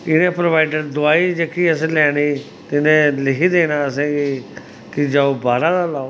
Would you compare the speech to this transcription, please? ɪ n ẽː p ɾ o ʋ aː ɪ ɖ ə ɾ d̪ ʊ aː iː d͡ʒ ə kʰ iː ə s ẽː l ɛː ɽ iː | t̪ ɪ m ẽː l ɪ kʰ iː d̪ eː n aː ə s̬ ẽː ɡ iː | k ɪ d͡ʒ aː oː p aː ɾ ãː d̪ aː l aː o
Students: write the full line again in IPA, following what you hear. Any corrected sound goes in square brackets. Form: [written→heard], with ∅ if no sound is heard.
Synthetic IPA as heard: ɪ n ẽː p ɾ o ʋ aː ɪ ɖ ə ɾ d̪ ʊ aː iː d͡ʒ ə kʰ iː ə s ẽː l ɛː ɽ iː | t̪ ɪ [m→n] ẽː l ɪ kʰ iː d̪ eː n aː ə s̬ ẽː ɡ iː | k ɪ d͡ʒ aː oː [p→b] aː ɾ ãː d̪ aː l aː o

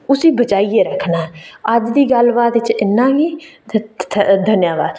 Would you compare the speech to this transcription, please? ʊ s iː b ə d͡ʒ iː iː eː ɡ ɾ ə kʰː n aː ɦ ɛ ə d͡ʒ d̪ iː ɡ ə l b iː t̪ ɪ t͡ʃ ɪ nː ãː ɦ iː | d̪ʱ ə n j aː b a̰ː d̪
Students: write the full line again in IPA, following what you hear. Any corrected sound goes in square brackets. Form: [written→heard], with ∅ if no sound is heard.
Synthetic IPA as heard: ʊ s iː b ə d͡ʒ [iː→aː] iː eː [ɡ→∅] ɾ ə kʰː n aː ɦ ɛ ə d͡ʒ d̪ iː ɡ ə l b [iː→aː] t̪ ɪ t͡ʃ ɪ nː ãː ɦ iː | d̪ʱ ə n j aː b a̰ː d̪

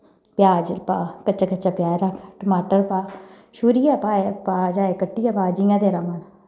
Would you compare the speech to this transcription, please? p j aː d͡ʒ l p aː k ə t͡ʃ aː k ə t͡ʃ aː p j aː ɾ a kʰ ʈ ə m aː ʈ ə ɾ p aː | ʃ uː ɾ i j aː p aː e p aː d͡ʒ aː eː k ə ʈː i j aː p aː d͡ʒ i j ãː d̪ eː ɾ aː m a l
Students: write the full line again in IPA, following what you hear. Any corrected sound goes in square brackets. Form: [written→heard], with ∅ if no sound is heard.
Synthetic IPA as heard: p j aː d͡ʒ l p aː k ə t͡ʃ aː k ə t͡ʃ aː p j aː ɾ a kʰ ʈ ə m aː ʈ ə ɾ p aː | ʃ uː ɾ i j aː p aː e p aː d͡ʒ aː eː k ə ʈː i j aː p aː d͡ʒ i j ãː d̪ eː ɾ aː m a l

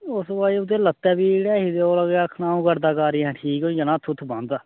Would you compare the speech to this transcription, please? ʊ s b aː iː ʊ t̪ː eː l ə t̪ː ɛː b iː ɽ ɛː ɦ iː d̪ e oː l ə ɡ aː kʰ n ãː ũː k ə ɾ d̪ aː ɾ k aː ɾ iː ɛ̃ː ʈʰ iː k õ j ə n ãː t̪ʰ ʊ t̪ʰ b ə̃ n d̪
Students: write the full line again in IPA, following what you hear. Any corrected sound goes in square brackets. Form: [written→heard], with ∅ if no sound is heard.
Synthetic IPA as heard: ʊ s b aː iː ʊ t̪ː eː l ə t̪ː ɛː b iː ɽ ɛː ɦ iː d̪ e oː l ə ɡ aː kʰ n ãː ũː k ə ɾ d̪ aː [ɾ→∅] k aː ɾ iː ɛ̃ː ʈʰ iː k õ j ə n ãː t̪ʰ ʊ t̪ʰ b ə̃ n d̪

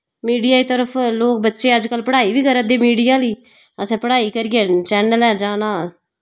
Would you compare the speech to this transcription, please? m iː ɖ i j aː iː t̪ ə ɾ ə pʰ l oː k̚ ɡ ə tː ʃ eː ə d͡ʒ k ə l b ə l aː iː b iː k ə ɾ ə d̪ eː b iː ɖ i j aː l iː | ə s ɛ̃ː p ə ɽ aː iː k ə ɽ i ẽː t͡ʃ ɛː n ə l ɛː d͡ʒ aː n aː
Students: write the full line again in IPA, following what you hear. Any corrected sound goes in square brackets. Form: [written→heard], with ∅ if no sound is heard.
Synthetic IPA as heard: m iː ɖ i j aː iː t̪ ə ɾ ə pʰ l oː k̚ [ɡ→b] ə tː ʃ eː ə d͡ʒ k ə l [b→p] ə [l→ɽ] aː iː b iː k ə ɾ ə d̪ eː [b→m] iː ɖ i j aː l iː | ə s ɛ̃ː p ə ɽ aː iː k ə [ɽ→ɾ] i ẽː t͡ʃ ɛː n ə l ɛː d͡ʒ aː n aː

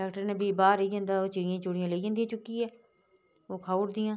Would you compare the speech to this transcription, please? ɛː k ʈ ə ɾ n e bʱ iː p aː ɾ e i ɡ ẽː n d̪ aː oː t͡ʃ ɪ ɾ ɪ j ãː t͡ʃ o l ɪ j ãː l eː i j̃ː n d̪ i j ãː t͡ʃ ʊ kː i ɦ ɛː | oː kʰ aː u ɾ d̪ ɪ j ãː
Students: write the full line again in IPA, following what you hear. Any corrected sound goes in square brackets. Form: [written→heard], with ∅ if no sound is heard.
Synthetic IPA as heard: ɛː k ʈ ə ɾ n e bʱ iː [p→b] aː ɾ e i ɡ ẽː n d̪ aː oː t͡ʃ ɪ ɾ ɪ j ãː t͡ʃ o [l→ɽ] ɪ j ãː l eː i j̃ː n d̪ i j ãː t͡ʃ ʊ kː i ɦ ɛː | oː kʰ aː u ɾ d̪ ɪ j ãː

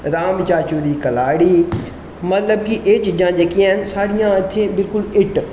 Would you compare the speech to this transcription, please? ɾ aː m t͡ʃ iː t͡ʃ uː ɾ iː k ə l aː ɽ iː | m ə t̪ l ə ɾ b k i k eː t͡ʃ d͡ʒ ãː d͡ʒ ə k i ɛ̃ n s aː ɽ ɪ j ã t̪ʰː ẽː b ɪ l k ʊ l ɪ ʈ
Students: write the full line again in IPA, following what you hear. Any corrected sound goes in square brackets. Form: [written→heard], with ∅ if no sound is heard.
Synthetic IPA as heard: ɾ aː m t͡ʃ [iː→aː] t͡ʃ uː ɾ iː k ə l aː ɽ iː | m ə t̪ l ə [ɾ→∅] b k i [k→ʔ] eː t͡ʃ d͡ʒ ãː d͡ʒ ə k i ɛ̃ n s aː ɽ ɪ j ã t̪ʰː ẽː b ɪ l k ʊ l ɪ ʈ

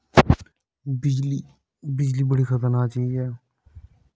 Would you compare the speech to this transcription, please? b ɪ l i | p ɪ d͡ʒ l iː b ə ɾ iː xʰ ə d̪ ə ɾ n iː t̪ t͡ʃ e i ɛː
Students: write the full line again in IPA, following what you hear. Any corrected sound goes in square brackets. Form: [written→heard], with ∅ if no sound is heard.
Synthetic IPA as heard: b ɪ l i | [p→b] ɪ d͡ʒ l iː b ə [ɾ→ɽ] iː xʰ ə [d̪→t̪] ə ɾ n [iː→aː] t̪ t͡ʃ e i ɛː

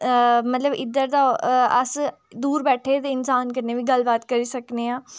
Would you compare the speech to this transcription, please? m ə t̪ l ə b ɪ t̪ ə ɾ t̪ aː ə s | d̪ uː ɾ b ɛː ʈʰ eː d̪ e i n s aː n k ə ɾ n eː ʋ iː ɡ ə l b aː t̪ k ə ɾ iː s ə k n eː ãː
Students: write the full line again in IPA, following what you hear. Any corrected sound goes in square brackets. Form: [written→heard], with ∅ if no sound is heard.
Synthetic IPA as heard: m ə t̪ l ə b ɪ [t̪→d̪] ə ɾ [t̪→d̪] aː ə s | d̪ uː ɾ b ɛː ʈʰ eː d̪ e [i→ɪ] n s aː n k ə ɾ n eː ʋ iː ɡ ə l b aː t̪ k ə ɾ iː s ə k n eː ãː

